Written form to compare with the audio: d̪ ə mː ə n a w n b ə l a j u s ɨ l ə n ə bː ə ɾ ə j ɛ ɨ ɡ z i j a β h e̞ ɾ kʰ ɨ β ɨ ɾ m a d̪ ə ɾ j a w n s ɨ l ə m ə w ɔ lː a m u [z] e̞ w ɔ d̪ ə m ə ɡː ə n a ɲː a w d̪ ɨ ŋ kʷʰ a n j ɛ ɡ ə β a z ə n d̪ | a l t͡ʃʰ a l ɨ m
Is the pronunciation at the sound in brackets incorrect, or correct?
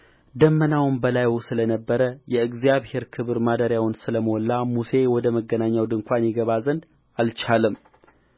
incorrect